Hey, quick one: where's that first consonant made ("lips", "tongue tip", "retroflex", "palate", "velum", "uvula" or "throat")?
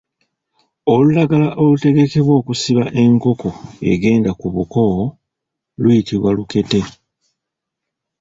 tongue tip